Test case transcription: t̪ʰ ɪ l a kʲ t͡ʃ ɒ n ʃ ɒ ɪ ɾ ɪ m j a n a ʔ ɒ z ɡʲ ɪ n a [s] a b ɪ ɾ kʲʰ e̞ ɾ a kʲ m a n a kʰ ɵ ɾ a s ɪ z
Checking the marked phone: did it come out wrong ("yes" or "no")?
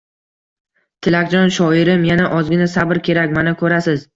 no